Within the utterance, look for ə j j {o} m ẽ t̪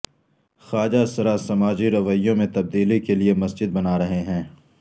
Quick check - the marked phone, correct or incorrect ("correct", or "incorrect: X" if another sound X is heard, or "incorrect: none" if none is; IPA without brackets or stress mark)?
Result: incorrect: õ